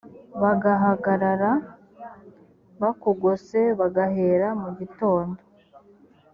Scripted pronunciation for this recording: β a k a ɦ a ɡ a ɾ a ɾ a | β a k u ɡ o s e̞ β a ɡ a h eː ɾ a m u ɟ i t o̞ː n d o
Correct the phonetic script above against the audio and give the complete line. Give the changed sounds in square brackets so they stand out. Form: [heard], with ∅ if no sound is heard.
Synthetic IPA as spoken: β a [ɡ] a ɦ a ɡ a ɾ a ɾ a | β a k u ɡ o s e̞ β a ɡ a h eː ɾ a m u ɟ i t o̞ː n d o